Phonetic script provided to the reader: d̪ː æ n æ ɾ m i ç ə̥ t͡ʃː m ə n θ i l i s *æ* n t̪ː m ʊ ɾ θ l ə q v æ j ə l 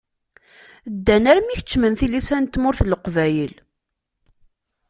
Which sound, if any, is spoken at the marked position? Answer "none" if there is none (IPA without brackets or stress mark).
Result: æ